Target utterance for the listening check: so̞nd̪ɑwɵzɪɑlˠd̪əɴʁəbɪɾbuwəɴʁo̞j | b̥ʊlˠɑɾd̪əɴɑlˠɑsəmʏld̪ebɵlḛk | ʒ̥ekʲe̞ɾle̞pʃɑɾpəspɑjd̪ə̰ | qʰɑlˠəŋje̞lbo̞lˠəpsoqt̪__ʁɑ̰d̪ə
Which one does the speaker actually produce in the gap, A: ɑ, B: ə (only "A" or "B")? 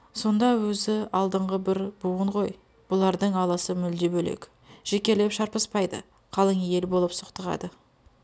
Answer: B